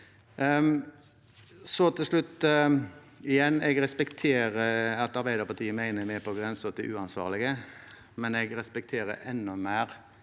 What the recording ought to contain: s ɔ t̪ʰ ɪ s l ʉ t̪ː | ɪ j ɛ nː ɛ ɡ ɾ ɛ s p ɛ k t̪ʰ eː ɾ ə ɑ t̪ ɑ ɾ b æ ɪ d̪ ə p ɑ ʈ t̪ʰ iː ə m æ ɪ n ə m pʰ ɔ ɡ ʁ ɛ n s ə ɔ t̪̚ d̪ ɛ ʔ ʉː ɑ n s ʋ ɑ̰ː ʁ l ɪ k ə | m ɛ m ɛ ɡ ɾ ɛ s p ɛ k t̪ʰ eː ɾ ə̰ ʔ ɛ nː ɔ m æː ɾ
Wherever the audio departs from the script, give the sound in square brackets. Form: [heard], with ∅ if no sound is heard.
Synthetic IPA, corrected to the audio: s ɔ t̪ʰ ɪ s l ʉ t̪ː | ɪ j ɛ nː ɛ ɡ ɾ ɛ s p ɛ k t̪ʰ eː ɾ ə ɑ t̪ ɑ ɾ b æ ɪ d̪ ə p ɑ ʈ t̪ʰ iː ə m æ ɪ n ə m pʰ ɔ ɡ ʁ ɛ n s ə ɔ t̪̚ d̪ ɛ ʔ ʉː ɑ n s ʋ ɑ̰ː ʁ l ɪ [ɡ] ə | m ɛ [n] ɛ ɡ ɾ ɛ s p ɛ k t̪ʰ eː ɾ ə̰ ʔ ɛ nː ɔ m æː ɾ